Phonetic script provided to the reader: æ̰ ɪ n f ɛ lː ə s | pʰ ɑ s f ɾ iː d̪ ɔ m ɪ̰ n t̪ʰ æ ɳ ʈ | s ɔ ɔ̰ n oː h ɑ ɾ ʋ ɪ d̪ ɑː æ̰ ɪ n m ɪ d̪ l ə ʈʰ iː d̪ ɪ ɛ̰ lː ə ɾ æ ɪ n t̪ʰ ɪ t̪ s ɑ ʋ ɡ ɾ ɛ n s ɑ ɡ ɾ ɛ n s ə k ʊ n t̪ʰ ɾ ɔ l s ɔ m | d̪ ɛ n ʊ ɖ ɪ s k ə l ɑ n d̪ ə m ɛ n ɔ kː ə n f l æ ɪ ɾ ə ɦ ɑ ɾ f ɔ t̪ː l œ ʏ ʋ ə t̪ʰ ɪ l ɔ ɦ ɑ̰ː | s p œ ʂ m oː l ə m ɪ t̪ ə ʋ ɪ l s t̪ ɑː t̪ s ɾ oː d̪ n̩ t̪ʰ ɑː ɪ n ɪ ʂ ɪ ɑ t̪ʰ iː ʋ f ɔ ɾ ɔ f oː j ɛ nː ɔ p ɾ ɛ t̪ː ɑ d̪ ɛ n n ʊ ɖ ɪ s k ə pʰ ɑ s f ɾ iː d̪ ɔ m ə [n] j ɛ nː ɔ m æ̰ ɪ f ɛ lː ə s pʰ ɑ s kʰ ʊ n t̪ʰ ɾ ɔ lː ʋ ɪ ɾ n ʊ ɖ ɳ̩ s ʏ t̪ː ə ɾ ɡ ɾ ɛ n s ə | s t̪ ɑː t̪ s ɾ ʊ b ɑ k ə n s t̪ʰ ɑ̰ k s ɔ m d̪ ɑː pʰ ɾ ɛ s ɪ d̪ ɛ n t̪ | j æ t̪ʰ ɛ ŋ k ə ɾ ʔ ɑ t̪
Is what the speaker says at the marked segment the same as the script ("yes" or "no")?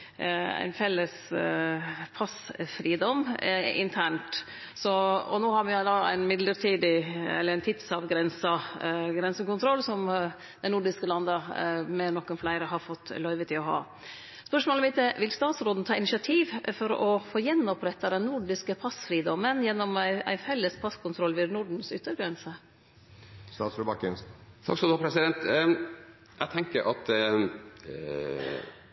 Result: yes